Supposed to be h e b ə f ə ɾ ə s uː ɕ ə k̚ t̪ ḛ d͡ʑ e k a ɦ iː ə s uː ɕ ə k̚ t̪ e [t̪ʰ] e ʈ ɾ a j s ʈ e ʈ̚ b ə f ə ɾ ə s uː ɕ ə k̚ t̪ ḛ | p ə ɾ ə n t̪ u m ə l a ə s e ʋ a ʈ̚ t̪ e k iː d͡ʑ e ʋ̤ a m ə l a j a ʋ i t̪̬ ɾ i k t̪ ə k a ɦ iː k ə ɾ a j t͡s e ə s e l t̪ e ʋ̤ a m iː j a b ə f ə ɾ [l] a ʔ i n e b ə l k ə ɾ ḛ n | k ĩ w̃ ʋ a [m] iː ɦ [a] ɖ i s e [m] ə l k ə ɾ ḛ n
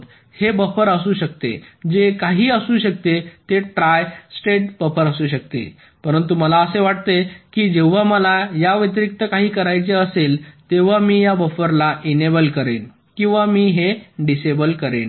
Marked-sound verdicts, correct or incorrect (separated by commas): incorrect, correct, correct, incorrect, incorrect